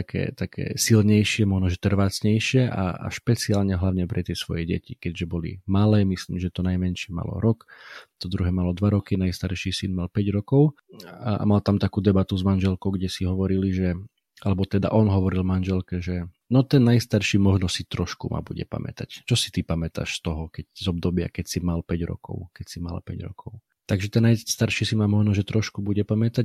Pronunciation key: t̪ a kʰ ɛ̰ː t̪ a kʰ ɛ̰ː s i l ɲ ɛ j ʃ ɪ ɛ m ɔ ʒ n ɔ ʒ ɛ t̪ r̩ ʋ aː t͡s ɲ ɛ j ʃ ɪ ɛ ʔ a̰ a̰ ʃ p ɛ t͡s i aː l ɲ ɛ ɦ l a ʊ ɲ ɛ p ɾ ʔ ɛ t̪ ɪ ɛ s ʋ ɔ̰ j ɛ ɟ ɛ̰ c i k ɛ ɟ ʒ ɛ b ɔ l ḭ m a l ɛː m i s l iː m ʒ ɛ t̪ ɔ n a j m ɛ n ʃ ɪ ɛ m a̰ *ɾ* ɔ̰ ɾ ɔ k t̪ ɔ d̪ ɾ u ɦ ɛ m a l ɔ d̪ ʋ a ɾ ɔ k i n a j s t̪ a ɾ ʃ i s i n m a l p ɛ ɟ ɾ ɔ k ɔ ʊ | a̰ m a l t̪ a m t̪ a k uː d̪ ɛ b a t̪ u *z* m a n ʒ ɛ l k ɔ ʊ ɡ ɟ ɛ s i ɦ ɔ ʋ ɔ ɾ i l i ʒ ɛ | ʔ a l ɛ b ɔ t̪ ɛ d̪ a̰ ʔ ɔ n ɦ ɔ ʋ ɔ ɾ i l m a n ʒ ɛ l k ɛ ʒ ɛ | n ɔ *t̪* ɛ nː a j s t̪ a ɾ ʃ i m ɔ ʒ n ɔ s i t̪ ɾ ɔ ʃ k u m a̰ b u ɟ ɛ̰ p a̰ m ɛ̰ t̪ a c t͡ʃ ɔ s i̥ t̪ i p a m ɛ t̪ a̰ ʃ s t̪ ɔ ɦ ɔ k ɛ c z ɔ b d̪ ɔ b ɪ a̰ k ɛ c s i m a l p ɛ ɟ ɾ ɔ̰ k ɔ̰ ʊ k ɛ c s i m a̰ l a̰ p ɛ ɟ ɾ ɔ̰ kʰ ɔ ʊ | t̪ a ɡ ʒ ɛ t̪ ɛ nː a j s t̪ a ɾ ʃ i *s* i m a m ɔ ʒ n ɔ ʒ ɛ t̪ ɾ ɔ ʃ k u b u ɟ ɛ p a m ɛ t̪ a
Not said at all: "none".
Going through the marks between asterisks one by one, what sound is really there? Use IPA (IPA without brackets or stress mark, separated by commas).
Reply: l, z, t̪, s